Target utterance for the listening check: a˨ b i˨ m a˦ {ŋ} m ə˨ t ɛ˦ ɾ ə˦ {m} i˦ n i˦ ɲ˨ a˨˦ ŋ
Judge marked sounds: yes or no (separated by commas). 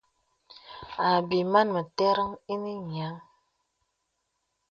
no, no